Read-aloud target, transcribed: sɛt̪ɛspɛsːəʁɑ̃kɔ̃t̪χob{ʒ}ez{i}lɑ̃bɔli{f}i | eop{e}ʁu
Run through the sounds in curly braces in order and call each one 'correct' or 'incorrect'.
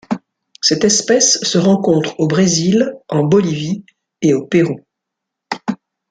incorrect: ʁ, correct, incorrect: v, correct

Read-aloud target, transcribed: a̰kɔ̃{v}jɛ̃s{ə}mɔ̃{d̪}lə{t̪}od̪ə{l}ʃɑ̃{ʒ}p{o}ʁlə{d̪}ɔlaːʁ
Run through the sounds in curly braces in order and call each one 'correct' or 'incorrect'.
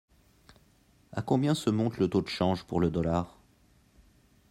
incorrect: b, correct, incorrect: t̪, correct, incorrect: none, correct, incorrect: u, correct

